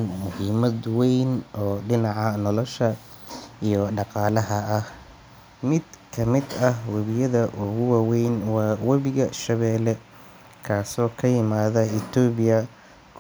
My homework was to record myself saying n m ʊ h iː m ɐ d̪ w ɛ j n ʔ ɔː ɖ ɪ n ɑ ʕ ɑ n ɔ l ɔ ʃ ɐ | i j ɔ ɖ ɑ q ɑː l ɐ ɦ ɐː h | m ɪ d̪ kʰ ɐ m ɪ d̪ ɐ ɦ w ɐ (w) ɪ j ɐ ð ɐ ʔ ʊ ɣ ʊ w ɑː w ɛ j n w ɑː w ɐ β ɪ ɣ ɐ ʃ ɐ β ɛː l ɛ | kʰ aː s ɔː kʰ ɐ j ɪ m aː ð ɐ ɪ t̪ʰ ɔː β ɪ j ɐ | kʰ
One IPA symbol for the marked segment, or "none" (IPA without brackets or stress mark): β